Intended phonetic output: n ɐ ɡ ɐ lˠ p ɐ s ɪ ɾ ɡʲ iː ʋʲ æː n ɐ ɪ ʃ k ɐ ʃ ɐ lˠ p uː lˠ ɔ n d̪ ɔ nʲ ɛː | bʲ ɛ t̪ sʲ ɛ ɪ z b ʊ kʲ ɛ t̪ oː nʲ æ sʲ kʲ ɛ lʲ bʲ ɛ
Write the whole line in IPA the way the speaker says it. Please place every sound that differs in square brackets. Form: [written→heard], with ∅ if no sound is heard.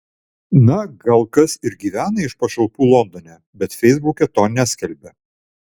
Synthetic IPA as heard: n ɐ ɡ ɐ lˠ [p→k] ɐ s ɪ ɾ ɡʲ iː ʋʲ æː n ɐ ɪ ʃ [k→p] ɐ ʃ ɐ lˠ p uː lˠ ɔ n d̪ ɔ nʲ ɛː | bʲ ɛ t̪ [sʲ→fʲ] ɛ ɪ z b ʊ kʲ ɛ t̪ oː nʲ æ sʲ kʲ ɛ lʲ bʲ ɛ